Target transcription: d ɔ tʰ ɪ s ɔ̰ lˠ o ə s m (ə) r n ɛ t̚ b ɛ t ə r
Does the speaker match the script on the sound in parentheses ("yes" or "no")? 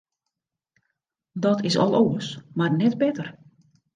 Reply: no